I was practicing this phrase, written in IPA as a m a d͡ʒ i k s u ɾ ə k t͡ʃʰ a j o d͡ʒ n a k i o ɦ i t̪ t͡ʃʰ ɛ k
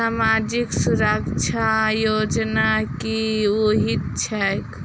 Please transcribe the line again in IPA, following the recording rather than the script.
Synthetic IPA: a m a d͡ʒ i k s u ɾ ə k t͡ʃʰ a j o d͡ʒ n a k i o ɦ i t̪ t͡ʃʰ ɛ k